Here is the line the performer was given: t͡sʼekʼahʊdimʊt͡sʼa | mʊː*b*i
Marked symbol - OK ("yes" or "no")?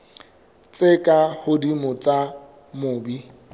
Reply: yes